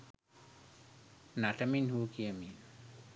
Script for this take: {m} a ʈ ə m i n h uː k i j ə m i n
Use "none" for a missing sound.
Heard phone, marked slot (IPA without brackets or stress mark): n